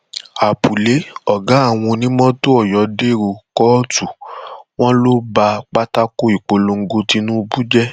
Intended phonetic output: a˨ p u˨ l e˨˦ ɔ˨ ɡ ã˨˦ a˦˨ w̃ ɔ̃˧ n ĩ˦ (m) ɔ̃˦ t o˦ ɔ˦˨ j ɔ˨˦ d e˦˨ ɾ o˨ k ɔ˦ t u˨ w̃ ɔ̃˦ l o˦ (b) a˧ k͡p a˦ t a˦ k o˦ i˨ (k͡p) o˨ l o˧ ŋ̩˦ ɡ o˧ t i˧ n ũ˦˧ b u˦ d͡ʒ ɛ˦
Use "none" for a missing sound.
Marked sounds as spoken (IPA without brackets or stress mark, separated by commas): m, b, k͡p